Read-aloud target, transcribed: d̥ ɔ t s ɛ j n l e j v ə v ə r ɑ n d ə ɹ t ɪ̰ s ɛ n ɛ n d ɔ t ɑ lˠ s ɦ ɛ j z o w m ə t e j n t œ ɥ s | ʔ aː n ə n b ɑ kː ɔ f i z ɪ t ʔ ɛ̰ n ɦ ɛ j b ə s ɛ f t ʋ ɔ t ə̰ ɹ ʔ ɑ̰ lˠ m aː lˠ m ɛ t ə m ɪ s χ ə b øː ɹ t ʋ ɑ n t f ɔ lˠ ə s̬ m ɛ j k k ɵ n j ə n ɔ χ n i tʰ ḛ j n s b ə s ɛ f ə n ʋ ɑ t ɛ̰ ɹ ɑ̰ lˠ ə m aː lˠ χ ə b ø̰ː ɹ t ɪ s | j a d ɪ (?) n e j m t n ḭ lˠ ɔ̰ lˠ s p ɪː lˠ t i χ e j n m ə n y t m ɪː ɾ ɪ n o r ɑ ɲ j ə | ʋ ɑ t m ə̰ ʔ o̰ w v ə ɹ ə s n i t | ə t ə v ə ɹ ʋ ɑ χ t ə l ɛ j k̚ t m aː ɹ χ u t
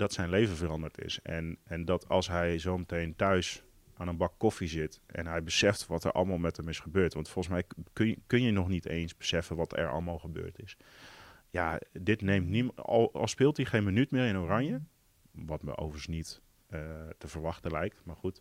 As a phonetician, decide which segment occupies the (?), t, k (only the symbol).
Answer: t